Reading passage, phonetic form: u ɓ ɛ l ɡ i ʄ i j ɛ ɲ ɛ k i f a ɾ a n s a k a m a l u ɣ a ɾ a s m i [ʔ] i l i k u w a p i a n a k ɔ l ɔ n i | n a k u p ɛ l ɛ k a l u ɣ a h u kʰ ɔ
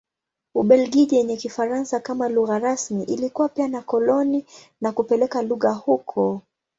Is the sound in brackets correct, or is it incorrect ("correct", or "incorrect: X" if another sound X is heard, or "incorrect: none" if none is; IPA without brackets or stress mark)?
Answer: correct